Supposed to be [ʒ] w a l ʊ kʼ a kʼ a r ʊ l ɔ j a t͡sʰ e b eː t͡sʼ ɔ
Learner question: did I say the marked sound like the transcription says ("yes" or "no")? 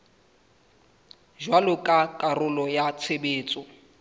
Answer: yes